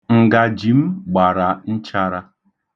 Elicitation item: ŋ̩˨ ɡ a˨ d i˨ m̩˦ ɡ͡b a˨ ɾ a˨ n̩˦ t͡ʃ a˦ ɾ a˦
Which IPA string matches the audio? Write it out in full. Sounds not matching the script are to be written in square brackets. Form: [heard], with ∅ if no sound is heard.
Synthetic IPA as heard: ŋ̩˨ ɡ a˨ [d͡ʒ] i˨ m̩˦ ɡ͡b a˨ ɾ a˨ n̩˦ t͡ʃ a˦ ɾ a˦